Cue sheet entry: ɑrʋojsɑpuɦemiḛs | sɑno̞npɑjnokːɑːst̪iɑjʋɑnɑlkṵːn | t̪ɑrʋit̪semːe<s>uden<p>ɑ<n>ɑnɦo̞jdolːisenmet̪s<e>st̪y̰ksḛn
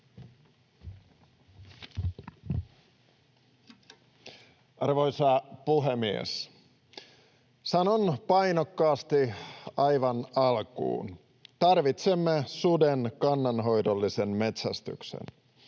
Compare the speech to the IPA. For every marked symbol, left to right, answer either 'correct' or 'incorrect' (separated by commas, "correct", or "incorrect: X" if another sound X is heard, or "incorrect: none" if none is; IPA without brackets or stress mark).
correct, incorrect: k, incorrect: nː, incorrect: æ